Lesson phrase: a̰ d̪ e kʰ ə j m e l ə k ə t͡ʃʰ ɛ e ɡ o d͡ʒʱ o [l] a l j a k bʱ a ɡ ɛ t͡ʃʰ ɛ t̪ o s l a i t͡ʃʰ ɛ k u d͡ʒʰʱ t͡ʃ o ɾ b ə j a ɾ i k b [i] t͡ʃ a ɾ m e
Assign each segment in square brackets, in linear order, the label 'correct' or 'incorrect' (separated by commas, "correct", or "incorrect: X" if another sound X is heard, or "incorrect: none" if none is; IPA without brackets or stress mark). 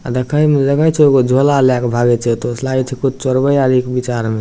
correct, correct